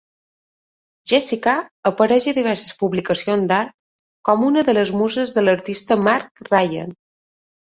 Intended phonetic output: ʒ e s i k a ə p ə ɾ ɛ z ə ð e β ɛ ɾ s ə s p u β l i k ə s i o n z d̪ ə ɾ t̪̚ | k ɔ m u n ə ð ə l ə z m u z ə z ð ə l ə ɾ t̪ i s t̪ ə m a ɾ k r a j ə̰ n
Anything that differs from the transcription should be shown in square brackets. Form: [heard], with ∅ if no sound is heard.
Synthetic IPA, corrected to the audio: ʒ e s i k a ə p ə ɾ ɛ [ʒ] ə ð [i] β ɛ ɾ s ə s p u β l i k ə s i o n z d̪ [a] ɾ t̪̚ | k ɔ m u n ə ð ə l ə z m u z ə z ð ə l ə ɾ t̪ i s t̪ ə m a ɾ k r a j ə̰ n